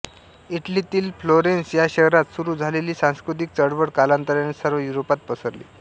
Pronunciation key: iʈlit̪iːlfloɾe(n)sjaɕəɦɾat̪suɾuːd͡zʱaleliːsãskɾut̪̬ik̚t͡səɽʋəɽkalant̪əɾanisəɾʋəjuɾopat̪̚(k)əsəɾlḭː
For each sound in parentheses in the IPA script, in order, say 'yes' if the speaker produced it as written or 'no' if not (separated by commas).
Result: yes, no